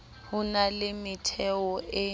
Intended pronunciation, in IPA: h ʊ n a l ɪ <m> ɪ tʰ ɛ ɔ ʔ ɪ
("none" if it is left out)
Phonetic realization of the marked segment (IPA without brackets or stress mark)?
m